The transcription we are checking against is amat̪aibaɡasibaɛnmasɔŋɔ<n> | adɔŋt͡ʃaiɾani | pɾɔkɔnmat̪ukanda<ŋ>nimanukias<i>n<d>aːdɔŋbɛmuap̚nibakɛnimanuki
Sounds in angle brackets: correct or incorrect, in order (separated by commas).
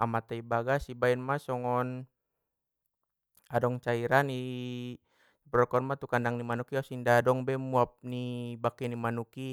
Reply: correct, correct, correct, correct